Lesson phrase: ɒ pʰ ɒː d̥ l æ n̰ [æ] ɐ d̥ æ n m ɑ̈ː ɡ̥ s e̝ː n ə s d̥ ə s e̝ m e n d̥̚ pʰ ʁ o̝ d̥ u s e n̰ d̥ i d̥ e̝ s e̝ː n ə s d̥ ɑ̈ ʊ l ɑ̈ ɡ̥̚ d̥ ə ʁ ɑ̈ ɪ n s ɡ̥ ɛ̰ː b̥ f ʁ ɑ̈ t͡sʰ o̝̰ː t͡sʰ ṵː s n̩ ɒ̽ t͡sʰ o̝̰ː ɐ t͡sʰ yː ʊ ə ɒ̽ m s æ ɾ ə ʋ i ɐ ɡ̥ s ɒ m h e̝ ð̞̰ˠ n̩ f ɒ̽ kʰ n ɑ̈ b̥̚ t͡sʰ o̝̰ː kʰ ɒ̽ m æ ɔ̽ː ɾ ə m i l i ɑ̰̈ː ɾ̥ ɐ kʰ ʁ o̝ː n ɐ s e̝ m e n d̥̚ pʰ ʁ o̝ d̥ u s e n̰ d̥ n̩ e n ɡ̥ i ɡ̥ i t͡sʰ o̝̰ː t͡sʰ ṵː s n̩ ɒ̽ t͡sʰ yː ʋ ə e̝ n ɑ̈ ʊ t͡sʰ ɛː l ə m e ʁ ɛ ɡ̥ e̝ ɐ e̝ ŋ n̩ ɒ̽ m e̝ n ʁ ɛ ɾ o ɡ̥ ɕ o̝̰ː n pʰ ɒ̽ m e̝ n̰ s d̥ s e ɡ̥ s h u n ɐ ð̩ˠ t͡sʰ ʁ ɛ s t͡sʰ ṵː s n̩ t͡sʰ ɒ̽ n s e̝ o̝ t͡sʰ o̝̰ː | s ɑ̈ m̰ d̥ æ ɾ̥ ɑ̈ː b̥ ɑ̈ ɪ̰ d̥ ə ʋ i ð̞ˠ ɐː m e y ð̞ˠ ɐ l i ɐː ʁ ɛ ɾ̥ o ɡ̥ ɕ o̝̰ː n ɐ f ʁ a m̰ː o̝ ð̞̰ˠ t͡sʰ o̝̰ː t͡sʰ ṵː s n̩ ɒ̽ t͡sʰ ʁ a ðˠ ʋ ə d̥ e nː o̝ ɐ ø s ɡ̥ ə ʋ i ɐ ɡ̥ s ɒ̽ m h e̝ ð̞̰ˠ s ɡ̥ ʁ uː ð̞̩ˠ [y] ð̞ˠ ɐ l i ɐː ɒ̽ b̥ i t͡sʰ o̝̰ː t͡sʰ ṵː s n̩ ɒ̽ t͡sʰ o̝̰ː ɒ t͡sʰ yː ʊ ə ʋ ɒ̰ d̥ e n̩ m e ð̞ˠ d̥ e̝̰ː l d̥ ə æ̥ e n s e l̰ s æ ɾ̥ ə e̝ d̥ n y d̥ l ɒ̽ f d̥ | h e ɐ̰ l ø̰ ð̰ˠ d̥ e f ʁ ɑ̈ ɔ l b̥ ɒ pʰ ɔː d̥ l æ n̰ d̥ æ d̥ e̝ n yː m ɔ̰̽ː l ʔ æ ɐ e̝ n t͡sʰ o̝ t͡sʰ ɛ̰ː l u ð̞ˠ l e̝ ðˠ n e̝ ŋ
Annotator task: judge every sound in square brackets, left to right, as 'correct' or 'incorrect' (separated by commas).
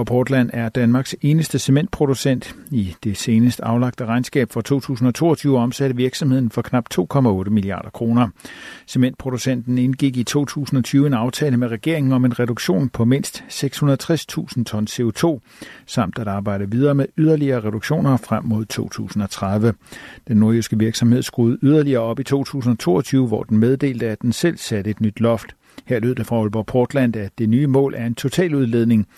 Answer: correct, correct